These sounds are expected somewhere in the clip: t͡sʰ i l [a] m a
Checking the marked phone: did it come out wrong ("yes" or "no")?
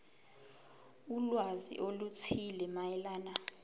yes